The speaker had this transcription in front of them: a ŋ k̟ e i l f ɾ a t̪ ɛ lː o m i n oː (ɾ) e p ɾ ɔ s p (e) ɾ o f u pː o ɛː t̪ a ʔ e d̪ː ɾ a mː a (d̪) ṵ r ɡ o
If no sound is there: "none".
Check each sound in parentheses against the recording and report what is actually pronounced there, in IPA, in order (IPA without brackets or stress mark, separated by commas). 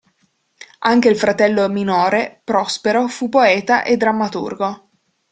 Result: ɾ, e, t̪